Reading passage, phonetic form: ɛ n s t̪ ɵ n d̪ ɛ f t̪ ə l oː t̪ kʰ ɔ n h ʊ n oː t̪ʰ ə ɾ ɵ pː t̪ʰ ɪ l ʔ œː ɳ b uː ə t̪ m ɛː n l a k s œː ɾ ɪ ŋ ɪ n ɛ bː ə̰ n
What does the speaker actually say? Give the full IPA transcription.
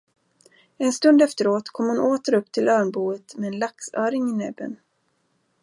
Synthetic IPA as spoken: ɛ n s t̪ ɵ n d̪ ɛ f t̪ ə ɾ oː t̪ kʰ ɔ m h ʊ n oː t̪ ə ɾ ɵ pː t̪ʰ ɪ l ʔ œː ɳ b uː ə t̪ m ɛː n l a k s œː ɾ ɪ ŋ ɪ n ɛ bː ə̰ n